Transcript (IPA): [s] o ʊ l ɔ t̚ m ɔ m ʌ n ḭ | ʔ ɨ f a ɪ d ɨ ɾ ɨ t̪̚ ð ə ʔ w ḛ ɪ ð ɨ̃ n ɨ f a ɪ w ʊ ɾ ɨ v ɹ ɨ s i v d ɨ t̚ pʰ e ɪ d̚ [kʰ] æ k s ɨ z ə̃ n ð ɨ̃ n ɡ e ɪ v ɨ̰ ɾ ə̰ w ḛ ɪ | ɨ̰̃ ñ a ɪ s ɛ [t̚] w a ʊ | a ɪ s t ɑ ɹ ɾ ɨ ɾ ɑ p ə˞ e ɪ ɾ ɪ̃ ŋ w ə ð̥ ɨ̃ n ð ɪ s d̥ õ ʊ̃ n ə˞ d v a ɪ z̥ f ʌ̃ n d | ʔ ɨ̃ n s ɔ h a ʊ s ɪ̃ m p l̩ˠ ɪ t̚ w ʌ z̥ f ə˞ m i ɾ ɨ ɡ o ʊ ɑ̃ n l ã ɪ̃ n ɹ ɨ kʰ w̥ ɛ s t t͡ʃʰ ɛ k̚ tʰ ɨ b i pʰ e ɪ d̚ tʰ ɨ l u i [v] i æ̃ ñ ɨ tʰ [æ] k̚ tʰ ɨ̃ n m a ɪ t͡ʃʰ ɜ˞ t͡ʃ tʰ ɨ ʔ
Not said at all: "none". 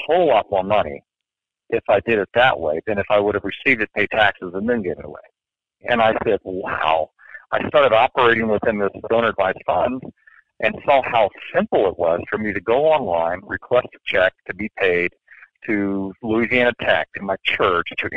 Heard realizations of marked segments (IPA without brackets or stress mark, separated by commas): h, tʰ, d̚, z, æ